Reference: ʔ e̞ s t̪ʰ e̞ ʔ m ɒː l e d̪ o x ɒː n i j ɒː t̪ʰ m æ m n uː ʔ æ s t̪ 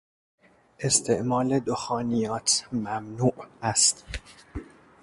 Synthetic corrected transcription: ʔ e̞ s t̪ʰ e̞ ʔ m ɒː l e d̪ o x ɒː n i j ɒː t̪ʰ m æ m n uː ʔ æ s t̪